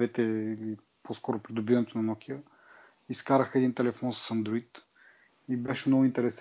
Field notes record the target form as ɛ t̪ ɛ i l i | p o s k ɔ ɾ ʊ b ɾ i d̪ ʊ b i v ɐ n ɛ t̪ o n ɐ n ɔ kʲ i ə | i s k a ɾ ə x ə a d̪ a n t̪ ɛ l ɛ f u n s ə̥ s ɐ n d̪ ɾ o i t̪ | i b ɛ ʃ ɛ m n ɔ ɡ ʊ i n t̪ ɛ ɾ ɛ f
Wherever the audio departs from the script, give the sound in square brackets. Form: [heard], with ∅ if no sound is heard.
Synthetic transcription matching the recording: ɛ t̪ ɛ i l i | p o s k ɔ ɾ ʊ [p] ɾ i d̪ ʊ b i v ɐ n ɛ t̪ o n ɐ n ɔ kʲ i ə | i s k a ɾ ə x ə [ɛ] d̪ [i] n t̪ ɛ l ɛ f [ɔ] n s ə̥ s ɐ n d̪ ɾ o i t̪ | i b ɛ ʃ ɛ m n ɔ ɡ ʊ i n t̪ ɛ ɾ ɛ [s]